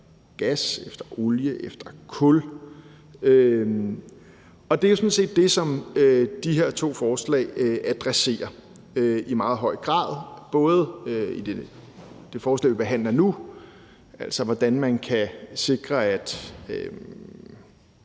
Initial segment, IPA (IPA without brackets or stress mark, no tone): ɡ̥